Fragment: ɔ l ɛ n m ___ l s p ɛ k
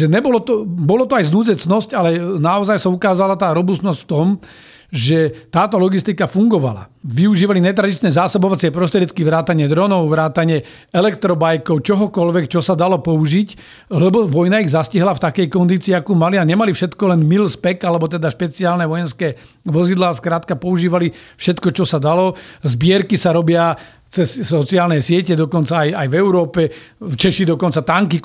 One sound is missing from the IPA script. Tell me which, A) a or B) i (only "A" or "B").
B